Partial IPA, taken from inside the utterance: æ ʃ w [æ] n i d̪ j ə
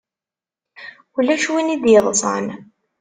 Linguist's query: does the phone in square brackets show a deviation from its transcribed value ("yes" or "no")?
yes